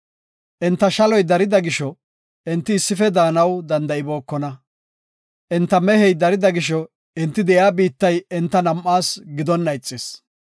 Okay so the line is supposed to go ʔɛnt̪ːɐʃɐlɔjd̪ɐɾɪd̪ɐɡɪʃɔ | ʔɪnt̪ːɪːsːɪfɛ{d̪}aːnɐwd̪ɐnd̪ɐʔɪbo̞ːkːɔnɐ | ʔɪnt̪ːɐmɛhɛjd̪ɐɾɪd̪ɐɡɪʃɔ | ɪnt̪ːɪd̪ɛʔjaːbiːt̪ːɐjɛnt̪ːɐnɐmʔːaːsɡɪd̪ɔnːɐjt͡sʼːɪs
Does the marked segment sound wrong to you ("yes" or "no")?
no